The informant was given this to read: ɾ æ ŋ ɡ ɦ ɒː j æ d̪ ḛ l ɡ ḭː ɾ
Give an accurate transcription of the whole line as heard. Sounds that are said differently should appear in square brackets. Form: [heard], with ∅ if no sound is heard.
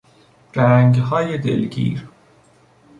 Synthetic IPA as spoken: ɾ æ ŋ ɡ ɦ ɒː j [e] d̪ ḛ l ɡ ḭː ɾ